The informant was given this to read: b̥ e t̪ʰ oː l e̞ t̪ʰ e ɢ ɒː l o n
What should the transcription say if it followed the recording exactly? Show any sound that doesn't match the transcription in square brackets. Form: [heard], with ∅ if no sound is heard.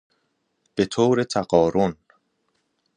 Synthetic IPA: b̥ e t̪ʰ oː [ɾ] e̞ t̪ʰ [æ] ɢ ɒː [ɾ] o n